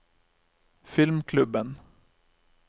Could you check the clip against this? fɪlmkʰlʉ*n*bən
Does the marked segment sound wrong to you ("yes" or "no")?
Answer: yes